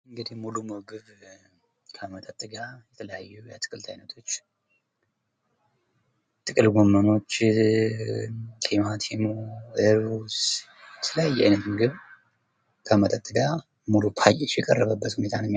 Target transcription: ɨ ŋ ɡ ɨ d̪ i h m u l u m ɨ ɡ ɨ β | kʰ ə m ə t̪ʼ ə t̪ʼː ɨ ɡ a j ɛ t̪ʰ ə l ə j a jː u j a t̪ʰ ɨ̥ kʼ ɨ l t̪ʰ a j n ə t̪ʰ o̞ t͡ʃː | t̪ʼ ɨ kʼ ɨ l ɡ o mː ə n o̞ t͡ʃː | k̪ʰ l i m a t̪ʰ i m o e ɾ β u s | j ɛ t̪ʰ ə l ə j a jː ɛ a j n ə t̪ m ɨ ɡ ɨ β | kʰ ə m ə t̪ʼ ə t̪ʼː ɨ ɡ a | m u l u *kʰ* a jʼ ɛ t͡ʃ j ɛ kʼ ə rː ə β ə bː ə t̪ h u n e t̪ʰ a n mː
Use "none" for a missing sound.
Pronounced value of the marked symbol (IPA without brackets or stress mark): pʰ